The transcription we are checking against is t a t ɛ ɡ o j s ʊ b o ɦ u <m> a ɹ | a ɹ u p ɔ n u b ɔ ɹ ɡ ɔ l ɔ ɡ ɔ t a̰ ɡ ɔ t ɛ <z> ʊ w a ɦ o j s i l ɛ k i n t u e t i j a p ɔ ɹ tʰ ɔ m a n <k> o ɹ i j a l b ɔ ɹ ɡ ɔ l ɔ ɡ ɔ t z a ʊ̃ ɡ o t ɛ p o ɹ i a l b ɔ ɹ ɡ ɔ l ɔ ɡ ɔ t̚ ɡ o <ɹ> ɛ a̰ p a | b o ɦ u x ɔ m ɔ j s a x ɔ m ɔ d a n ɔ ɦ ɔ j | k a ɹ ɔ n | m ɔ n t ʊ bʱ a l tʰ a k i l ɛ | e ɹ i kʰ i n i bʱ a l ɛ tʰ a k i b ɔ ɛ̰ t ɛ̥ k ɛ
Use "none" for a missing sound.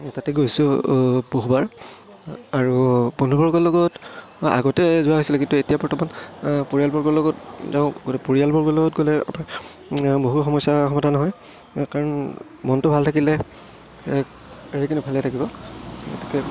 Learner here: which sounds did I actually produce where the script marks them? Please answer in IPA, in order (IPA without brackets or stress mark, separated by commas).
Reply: b, z, p, l